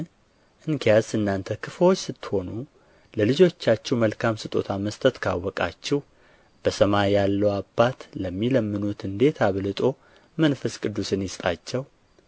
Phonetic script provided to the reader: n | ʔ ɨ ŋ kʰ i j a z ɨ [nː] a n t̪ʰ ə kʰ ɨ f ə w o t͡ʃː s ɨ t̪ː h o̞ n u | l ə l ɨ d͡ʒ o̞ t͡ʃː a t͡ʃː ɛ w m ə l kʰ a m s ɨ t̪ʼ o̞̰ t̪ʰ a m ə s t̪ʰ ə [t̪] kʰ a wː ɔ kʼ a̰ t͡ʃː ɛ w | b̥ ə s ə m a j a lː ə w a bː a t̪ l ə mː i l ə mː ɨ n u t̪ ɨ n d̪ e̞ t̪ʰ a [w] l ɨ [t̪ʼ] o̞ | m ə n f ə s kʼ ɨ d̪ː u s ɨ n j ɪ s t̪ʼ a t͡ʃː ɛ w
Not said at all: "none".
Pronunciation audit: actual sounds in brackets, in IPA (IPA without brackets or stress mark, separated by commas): nː, t̪, β, t̪ʼ